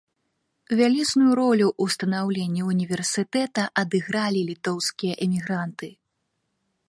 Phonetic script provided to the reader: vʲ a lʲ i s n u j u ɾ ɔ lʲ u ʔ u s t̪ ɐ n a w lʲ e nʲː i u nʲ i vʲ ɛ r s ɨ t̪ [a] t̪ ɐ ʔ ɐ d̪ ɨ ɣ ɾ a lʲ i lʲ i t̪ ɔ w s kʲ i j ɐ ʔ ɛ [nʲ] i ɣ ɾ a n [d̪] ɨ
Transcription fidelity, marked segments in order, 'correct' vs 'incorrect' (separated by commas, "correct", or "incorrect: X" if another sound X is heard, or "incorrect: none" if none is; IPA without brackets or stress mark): incorrect: ɛ, incorrect: mʲ, incorrect: t̪